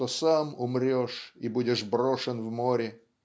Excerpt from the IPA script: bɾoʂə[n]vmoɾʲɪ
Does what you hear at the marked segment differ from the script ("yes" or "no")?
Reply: no